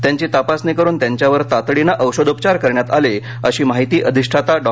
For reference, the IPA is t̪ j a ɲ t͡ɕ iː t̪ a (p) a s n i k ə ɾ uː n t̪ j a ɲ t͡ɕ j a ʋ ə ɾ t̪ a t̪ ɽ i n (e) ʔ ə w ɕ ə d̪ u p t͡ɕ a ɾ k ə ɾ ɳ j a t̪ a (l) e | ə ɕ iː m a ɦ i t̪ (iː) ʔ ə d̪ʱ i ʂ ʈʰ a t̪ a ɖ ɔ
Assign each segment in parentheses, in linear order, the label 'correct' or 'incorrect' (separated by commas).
correct, incorrect, correct, correct